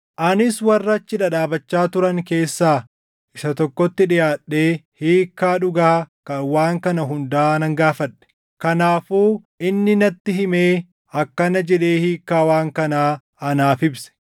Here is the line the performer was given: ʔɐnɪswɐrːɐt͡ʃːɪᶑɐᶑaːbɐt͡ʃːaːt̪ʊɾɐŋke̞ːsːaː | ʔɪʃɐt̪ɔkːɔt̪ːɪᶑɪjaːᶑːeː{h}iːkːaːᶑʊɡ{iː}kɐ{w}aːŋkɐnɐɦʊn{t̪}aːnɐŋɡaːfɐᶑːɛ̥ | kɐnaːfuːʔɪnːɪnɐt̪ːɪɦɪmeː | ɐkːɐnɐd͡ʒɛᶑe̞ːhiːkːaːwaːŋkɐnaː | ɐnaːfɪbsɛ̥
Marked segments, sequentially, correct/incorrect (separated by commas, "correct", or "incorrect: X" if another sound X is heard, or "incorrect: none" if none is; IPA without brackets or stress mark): correct, incorrect: aː, correct, incorrect: d̪